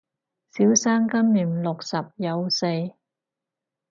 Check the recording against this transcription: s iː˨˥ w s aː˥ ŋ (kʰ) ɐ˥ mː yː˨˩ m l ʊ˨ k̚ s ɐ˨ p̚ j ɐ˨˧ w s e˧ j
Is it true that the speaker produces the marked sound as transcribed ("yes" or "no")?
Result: no